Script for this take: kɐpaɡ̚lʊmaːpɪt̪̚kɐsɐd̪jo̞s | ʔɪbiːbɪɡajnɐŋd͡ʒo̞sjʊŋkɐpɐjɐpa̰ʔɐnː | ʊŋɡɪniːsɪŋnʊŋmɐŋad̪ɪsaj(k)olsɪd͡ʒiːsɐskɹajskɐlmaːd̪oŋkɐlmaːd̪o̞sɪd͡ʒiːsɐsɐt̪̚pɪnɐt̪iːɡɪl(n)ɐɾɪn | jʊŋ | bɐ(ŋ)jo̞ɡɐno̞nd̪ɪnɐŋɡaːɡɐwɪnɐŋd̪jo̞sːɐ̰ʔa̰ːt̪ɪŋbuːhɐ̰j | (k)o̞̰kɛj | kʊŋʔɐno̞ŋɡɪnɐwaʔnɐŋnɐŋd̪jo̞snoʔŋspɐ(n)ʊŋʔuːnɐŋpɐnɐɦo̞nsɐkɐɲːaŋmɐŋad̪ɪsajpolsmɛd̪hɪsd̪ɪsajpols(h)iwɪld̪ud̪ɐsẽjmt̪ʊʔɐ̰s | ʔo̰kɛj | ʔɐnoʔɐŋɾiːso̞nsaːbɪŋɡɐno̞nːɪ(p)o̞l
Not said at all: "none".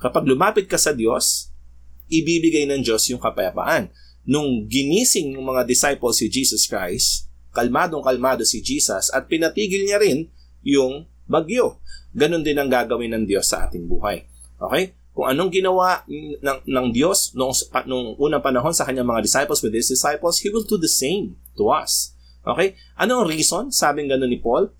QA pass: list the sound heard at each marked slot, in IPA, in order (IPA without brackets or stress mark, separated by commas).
p, ɲ, ɡ, ʔ, n, h, p